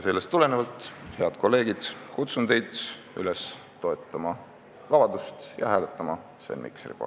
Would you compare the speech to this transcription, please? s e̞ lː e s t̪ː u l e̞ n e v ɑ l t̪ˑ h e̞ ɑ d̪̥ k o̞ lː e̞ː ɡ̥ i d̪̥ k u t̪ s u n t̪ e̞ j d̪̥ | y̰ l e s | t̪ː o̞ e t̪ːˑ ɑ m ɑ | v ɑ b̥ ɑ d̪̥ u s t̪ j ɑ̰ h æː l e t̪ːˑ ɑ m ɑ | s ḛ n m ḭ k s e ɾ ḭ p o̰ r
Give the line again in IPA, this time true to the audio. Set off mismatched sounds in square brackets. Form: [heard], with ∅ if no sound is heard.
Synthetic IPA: s e̞ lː e s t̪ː u l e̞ n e v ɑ l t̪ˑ h e̞ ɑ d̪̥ k o̞ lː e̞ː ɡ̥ i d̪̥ k u t̪ s u n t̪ e̞ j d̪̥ | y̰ l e s | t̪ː o̞ e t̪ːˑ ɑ m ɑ | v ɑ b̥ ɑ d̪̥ u s t̪ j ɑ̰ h æː l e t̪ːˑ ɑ m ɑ | s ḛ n m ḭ k s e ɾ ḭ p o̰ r